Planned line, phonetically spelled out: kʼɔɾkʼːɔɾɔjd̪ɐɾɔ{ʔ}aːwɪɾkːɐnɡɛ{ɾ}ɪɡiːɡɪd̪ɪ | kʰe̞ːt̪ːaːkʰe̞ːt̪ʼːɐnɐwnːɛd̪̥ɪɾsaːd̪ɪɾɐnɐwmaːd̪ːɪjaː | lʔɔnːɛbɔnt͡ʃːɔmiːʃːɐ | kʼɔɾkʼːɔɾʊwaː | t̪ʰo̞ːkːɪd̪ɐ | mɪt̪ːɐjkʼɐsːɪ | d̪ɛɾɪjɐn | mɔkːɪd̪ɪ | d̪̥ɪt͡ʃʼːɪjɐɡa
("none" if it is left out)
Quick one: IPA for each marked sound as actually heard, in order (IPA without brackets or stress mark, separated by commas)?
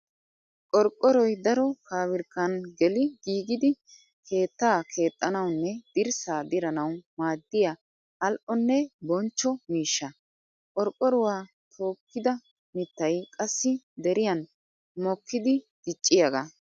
k, l